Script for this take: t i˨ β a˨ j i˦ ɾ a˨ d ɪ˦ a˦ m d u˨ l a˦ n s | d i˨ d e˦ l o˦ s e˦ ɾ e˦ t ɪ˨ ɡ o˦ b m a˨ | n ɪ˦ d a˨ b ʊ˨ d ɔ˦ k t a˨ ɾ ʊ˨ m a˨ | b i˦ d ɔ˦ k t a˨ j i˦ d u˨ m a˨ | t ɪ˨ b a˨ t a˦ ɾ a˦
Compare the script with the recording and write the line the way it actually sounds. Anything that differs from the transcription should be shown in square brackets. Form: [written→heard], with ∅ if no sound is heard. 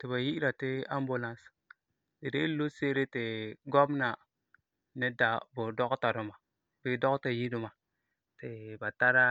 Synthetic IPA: t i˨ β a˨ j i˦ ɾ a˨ [d→t] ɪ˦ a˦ m [d→b] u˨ l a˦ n s | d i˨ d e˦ l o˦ s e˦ ɾ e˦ t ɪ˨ ɡ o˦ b [m→n] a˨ | n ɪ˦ d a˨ b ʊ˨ d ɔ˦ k t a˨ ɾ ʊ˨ m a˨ | b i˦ d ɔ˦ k t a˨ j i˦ d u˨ m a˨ | t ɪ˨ b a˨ t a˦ ɾ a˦

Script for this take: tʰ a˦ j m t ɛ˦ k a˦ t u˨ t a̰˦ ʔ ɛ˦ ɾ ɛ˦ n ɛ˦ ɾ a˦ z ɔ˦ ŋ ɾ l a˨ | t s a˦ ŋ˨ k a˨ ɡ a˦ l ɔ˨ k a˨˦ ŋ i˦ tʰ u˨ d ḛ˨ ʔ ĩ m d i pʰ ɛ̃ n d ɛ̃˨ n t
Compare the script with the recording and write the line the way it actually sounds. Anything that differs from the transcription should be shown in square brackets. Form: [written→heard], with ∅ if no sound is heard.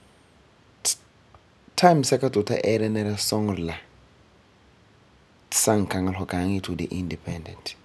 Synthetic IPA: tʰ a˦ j m [t→s] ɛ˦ k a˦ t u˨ t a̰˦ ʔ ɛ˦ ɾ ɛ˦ n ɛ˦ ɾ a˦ [z→s] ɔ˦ ŋ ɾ l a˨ | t s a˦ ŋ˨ k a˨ [ɡ→ŋ] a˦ l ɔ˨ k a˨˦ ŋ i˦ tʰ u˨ d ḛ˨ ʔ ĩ [m→n] d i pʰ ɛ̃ n d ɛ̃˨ n t

